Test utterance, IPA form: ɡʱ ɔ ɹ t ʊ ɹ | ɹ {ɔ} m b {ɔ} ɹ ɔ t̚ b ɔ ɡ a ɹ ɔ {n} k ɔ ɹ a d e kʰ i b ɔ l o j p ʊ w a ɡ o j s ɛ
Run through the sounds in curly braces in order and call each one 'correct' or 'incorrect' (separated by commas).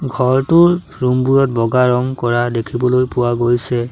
incorrect, incorrect, incorrect